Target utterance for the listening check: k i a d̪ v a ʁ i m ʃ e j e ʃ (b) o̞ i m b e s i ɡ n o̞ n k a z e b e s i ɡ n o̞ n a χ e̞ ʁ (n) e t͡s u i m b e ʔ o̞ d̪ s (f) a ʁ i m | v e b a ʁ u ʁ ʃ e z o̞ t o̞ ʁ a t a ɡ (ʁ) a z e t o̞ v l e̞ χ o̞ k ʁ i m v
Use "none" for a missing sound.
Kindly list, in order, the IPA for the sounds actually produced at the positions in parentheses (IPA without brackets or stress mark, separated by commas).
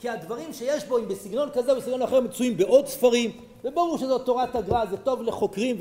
b, m, f, ʁ